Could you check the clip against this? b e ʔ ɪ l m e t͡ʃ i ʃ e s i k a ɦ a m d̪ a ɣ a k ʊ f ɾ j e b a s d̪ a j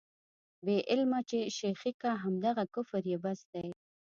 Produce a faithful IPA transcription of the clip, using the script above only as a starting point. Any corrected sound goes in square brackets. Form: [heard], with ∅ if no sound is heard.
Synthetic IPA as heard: b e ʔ ɪ l m [a] t͡ʃ [e] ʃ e [x] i k a ɦ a m d̪ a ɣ a k ʊ f ɾ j e b a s d̪ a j